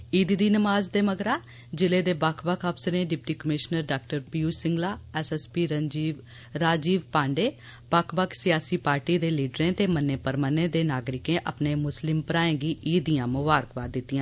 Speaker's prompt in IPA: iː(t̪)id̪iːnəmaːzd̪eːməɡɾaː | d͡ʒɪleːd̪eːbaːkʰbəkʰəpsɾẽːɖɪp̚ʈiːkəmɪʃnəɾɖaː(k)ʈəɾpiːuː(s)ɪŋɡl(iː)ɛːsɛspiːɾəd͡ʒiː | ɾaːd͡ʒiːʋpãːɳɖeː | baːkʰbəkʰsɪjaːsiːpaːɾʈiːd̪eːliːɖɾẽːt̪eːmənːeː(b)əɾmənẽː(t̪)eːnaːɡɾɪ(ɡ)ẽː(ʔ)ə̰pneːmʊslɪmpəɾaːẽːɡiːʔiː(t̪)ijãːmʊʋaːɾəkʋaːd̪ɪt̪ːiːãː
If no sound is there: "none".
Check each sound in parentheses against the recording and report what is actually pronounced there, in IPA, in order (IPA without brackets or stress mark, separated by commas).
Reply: d̪, k, s, aː, p, d̪, k, ʔ, d̪